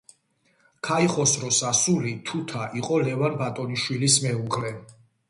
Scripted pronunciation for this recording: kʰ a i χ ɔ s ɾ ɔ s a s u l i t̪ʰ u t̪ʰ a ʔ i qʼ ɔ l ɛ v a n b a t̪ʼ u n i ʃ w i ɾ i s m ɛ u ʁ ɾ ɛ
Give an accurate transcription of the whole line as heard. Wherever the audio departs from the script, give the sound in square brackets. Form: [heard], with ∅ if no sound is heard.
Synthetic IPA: kʰ a i χ ɔ s ɾ ɔ s a s u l i t̪ʰ u t̪ʰ a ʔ i qʼ ɔ l ɛ v a n b a t̪ʼ [ɔ] n i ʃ w i [l] i s m ɛ u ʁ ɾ ɛ